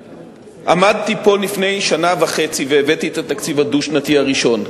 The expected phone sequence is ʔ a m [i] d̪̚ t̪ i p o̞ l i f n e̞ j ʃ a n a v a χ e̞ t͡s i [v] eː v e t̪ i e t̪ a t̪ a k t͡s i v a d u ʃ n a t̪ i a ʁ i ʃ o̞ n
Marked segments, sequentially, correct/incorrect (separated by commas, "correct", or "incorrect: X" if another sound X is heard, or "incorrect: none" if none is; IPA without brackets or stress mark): incorrect: a, correct